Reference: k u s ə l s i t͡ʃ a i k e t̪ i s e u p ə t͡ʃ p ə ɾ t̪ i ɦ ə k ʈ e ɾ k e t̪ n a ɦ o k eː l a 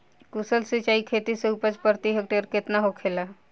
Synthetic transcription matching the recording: k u s ə l s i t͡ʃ a i kʰ e t̪ i s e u p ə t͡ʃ p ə ɾ t̪ i ɦ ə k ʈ e ɾ k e t̪ n a ɦ o kʰ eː l a